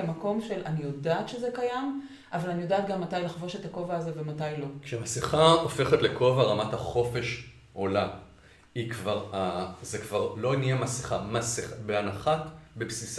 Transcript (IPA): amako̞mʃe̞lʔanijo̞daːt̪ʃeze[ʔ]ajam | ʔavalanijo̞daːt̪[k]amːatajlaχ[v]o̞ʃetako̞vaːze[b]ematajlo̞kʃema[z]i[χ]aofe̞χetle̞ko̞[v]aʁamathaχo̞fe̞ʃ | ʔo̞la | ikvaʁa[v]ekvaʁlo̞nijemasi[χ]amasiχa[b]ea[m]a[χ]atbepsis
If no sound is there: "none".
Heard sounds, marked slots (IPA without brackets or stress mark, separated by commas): k, ɡ, v, v, s, χ, v, z, χ, b, n, χ